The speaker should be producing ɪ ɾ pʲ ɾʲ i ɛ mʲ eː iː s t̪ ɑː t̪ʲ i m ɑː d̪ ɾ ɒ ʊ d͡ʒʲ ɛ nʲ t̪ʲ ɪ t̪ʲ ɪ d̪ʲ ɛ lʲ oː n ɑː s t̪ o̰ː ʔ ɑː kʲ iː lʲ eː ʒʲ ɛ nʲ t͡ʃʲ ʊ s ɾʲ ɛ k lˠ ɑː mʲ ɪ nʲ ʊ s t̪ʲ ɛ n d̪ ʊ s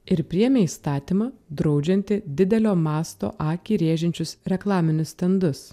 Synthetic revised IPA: ɪ ɾ pʲ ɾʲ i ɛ mʲ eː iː s t̪ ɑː t̪ʲ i m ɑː d̪ ɾ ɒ ʊ d͡ʒʲ ɛ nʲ t̪ʲ ɪ d̪ʲ ɪ d̪ʲ ɛ lʲ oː m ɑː s t̪ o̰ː ʔ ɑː kʲ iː ɾʲ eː ʒʲ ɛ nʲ t͡ʃʲ ʊ s ɾʲ ɛ k lˠ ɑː mʲ ɪ nʲ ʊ s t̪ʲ ɛ n d̪ ʊ s